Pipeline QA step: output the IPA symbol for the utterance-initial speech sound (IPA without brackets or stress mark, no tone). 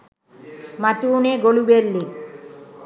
m